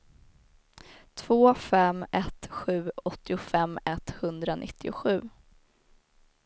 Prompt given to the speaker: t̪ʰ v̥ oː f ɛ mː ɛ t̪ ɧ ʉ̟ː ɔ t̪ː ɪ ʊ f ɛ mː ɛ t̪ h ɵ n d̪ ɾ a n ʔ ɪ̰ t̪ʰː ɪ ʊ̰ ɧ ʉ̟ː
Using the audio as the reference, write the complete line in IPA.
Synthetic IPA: t̪ʰ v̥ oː f ɛ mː ɛ t̪ ɧ ʉ̟ː ɔ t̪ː ɪ ʊ f ɛ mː ɛ t̪ h ɵ n d̪ ɾ a n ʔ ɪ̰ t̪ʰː ɪ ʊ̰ ɧ ʉ̟ː